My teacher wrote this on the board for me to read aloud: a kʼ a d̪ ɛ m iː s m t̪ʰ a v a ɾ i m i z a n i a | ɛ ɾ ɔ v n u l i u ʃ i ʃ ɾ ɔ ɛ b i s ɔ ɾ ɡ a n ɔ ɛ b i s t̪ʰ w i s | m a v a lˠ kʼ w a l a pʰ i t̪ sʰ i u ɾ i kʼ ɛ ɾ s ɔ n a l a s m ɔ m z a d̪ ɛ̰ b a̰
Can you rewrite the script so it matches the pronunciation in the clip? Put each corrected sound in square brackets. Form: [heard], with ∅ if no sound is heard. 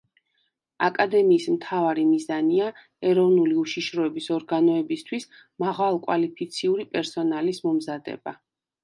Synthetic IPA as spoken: a kʼ a d̪ ɛ m iː s m t̪ʰ a v a ɾ i m i z a n i a | ɛ ɾ ɔ v n u l i u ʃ i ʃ ɾ ɔ ɛ b i s ɔ ɾ ɡ a n ɔ ɛ b i s t̪ʰ w i s | m a [ʁ] a lˠ kʼ w a l [i] pʰ i t̪ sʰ i u ɾ i [pʼ] ɛ ɾ s ɔ n a l [i] s m ɔ m z a d̪ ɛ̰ b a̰